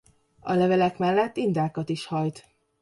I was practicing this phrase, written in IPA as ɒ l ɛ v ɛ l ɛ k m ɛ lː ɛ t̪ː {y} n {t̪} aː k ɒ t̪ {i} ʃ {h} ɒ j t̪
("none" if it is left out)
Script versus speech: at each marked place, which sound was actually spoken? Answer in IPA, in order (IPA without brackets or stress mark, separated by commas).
i, d̪, i, h